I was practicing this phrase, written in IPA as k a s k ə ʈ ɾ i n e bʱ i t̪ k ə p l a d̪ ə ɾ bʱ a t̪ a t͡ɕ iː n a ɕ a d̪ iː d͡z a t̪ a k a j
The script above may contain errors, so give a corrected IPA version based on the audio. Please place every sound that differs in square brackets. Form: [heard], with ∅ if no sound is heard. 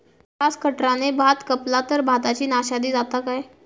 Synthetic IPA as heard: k a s k ə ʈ ɾ [a] n e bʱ [a] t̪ k ə p l a [t̪] ə ɾ bʱ a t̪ a t͡ɕ iː n a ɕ a d̪ iː d͡z a t̪ a k a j